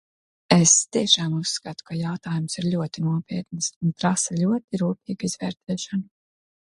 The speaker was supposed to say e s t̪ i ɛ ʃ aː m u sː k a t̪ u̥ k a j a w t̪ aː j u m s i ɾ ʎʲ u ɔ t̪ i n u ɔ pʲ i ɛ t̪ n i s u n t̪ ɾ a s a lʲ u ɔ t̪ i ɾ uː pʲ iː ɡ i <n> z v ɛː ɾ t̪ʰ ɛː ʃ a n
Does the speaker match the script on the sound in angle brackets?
no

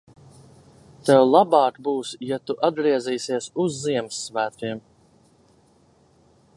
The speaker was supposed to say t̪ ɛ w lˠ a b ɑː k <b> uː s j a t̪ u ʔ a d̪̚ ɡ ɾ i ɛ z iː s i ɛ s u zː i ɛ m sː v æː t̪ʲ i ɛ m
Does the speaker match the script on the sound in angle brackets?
yes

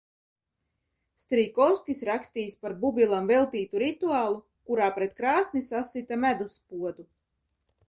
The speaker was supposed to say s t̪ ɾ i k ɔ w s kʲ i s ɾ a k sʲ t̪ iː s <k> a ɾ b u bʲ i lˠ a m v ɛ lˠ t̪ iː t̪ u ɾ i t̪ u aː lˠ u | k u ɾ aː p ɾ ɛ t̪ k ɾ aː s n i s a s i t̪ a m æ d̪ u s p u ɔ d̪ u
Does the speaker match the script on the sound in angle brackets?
no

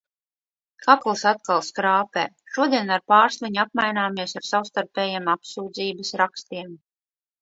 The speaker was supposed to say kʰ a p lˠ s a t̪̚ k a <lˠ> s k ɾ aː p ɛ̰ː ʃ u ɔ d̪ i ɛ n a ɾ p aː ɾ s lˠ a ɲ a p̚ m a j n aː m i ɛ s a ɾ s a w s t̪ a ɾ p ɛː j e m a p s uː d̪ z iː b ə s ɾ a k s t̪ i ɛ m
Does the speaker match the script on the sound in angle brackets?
yes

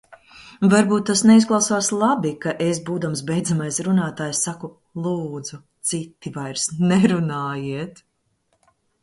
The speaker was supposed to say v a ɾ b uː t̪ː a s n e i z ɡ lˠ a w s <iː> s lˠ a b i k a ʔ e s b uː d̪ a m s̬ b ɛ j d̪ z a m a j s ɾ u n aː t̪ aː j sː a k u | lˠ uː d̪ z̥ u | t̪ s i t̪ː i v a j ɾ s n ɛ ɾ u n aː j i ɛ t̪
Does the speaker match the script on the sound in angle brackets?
no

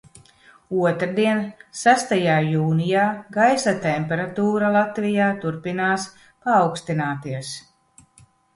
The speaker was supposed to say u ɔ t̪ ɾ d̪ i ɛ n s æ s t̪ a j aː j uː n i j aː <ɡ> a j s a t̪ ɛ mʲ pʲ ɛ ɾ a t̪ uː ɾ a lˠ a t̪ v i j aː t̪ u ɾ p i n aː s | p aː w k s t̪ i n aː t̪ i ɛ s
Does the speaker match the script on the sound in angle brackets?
yes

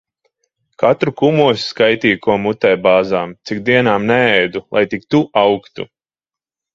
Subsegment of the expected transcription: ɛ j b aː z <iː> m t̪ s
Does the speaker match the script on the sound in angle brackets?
no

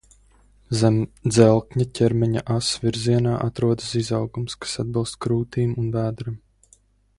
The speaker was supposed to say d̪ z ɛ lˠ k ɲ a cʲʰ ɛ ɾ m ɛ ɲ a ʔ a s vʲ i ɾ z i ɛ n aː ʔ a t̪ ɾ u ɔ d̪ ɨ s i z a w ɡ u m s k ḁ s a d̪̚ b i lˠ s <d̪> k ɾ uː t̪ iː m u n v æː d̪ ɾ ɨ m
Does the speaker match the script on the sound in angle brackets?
no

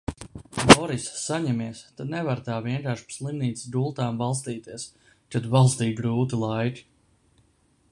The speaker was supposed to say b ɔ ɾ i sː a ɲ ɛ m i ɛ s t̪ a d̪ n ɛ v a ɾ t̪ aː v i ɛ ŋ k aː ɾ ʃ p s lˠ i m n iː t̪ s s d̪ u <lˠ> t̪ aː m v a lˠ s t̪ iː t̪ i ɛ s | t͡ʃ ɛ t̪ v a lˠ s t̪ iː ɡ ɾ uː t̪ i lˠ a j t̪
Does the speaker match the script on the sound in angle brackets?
yes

